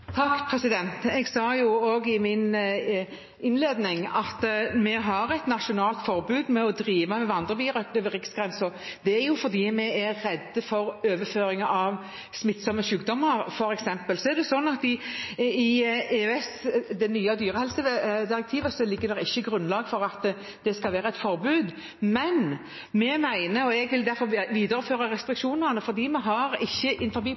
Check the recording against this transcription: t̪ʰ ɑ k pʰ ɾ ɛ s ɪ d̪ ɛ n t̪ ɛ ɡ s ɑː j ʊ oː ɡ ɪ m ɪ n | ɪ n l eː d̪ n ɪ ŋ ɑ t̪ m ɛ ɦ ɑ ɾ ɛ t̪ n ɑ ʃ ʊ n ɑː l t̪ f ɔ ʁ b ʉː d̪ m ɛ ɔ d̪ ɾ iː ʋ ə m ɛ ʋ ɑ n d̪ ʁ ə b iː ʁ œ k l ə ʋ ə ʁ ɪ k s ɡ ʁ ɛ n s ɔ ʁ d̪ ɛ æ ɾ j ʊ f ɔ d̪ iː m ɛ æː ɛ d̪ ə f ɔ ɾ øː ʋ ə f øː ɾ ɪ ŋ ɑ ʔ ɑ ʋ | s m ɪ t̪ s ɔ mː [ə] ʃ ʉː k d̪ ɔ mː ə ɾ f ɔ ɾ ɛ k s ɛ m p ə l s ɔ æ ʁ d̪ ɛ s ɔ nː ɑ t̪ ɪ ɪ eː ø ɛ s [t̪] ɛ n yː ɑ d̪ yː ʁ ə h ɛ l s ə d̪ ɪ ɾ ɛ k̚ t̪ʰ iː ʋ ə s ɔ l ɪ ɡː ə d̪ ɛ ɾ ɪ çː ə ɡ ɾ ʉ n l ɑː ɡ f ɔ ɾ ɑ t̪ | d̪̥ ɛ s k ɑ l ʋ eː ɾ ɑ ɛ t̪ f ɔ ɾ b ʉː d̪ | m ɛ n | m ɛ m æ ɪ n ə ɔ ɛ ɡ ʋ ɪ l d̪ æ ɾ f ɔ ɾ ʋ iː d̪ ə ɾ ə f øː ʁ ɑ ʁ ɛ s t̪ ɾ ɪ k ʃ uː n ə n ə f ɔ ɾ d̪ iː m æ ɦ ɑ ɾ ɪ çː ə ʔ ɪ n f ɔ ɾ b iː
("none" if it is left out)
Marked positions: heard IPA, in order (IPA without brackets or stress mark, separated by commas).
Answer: ə, d̪